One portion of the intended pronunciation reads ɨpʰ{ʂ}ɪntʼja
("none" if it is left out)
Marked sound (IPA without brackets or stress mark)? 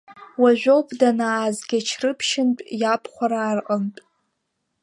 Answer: ʃ